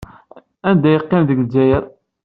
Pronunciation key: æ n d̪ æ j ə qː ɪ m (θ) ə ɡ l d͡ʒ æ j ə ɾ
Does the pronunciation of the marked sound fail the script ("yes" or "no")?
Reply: yes